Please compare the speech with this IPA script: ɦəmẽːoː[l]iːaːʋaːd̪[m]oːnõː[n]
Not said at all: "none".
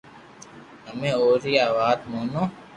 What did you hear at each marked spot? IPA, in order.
ɾ, m, none

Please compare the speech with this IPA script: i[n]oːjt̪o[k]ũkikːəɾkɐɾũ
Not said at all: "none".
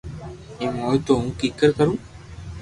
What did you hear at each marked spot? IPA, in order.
m, none

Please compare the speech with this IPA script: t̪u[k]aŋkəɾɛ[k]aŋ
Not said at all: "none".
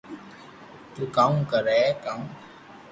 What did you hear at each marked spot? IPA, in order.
k, k

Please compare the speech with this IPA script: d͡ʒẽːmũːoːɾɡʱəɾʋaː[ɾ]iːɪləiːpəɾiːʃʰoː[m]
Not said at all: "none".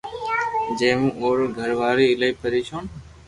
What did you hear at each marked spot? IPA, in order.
ɾ, n

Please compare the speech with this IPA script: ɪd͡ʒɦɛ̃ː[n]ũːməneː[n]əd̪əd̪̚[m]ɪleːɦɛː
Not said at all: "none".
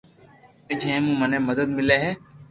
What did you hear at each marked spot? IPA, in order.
m, m, m

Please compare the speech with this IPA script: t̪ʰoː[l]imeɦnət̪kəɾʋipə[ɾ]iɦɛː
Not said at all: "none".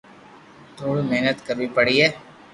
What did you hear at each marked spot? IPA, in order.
ɽ, ɽ

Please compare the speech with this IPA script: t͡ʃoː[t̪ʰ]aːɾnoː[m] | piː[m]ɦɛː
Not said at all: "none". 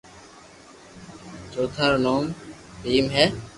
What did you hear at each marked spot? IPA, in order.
t̪ʰ, m, m

